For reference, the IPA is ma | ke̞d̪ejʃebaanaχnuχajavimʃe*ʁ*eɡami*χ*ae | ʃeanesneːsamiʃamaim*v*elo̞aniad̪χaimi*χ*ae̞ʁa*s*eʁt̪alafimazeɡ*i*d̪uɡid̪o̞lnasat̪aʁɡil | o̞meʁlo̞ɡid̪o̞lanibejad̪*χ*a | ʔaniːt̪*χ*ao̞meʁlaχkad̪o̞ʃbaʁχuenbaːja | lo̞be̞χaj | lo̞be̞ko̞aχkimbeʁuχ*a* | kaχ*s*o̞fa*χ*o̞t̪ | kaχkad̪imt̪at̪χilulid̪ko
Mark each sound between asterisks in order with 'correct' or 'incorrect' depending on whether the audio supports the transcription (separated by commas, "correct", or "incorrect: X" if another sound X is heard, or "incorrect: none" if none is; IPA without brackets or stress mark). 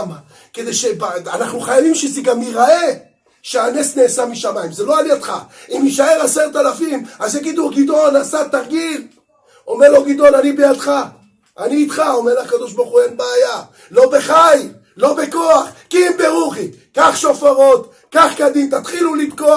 incorrect: z, incorrect: ʁ, incorrect: z, incorrect: ʃ, correct, correct, correct, correct, incorrect: i, incorrect: ʃ, incorrect: ʁ